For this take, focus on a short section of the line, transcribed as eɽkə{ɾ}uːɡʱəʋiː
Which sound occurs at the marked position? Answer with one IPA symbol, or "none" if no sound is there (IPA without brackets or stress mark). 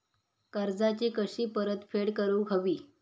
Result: ɾ